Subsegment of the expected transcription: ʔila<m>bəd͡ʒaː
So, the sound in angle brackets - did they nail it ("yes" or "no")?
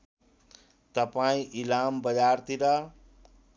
yes